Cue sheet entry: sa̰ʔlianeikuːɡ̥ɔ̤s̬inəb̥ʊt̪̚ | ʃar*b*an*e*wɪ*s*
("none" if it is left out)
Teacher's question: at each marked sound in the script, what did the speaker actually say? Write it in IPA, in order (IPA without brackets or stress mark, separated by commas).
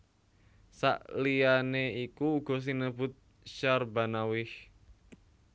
b, a, h